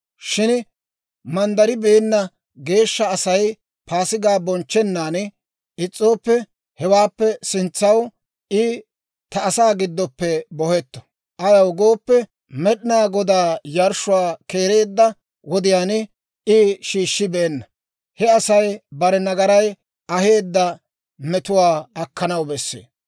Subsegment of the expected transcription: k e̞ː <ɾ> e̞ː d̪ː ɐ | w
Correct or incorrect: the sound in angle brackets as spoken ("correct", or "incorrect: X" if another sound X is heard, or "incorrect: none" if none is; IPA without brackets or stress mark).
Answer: correct